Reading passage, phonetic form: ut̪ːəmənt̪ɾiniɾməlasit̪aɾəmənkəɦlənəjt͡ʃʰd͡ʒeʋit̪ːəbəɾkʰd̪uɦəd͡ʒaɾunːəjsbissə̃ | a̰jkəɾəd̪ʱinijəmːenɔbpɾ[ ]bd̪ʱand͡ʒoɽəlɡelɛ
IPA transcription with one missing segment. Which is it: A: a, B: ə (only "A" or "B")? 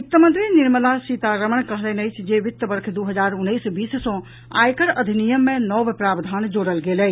A